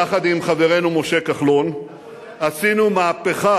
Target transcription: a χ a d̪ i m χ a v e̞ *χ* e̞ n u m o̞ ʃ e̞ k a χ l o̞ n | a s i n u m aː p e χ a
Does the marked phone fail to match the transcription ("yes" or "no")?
yes